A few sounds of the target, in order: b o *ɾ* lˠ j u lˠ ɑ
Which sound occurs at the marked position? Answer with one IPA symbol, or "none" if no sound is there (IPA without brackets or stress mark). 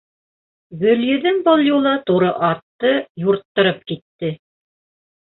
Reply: none